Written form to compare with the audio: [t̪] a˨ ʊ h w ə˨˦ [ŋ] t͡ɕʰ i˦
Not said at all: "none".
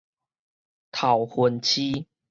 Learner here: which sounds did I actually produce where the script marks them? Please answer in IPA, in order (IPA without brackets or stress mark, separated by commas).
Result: t̪ʰ, n